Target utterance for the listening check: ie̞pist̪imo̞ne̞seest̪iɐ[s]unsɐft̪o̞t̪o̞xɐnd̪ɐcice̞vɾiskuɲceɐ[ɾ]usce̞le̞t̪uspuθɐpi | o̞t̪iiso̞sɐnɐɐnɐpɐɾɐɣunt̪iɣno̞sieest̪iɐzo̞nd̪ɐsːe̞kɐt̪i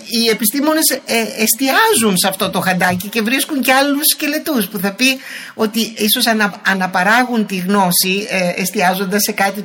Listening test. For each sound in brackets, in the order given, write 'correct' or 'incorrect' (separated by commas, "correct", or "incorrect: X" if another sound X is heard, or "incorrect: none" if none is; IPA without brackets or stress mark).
incorrect: z, incorrect: l